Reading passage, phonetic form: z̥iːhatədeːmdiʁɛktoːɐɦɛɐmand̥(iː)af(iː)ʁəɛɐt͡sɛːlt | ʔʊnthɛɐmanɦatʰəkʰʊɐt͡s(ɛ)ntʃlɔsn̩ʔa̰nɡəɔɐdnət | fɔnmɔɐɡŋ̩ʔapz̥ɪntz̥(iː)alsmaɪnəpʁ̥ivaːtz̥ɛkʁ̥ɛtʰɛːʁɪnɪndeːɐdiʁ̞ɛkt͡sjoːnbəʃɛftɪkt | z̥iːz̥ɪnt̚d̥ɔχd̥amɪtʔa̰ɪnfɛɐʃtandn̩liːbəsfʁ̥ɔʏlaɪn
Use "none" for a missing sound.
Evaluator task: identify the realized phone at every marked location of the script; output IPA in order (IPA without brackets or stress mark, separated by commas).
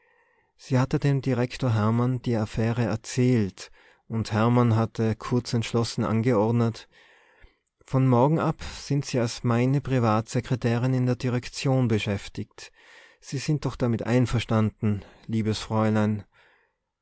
iː, ɛː, ɛ, iː